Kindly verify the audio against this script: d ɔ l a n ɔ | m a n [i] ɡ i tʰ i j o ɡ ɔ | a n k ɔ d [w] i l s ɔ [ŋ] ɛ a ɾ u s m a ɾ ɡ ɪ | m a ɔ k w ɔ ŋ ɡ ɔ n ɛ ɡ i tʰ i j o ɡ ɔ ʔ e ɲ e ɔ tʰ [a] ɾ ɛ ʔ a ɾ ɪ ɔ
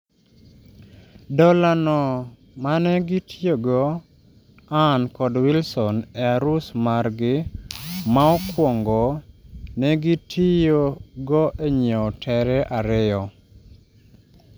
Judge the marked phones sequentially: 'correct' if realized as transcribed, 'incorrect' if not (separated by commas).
incorrect, correct, incorrect, incorrect